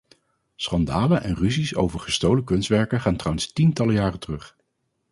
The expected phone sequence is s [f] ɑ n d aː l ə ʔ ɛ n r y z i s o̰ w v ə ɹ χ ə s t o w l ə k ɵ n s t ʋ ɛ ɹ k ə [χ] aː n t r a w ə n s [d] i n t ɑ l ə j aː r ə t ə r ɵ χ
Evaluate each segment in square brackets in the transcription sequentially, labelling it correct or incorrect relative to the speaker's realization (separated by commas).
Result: incorrect, correct, incorrect